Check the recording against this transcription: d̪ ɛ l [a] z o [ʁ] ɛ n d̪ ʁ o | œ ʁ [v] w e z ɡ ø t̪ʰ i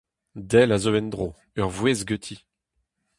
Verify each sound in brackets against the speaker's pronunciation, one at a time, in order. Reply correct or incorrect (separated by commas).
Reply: correct, incorrect, correct